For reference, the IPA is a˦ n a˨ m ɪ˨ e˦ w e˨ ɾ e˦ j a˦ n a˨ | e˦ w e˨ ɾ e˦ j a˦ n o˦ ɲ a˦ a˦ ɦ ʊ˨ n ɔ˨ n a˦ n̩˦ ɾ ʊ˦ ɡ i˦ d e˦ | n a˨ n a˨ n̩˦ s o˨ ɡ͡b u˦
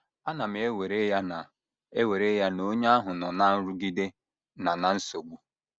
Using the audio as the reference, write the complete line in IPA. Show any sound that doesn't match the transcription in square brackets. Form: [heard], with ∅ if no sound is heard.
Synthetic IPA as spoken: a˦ n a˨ m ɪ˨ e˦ w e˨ ɾ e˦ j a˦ n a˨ | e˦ w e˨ ɾ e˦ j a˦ n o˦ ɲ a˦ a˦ ɦ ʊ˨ n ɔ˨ n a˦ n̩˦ ɾ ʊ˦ ɡ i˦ d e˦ | n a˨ n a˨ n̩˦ s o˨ ɡ͡b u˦